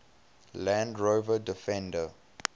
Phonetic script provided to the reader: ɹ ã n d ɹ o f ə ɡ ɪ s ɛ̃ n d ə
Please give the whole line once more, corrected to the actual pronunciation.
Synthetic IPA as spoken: l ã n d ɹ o v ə d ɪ f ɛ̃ n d ə